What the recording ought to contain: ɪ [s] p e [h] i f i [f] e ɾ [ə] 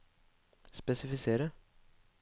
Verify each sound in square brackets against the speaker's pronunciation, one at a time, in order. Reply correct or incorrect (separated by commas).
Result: correct, incorrect, incorrect, incorrect